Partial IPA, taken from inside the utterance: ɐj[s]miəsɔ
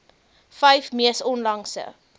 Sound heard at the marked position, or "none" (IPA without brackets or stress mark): f